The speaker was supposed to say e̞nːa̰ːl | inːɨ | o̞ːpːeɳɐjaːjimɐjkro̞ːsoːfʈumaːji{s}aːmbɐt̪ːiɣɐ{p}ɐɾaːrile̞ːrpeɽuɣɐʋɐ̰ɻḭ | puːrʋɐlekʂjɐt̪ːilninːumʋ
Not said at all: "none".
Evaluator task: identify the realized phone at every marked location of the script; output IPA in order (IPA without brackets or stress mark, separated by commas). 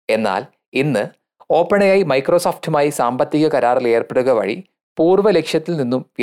s, k